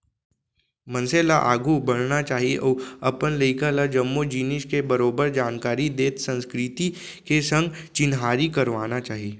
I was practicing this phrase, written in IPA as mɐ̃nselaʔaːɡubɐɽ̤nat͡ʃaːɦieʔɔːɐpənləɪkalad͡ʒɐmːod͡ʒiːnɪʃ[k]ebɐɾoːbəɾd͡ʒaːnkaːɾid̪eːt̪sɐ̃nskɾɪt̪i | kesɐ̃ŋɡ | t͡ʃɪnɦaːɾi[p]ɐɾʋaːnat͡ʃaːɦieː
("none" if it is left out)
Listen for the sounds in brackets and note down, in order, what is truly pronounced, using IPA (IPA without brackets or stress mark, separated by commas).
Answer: k, k